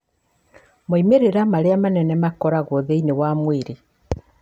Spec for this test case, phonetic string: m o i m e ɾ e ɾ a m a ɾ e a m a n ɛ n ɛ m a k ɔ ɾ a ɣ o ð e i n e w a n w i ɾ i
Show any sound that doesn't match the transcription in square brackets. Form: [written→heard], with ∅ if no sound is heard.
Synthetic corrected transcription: m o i m e ɾ e ɾ a m a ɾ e a m a n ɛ n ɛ m a k ɔ ɾ a ɣ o ð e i n e w a [n→m] w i ɾ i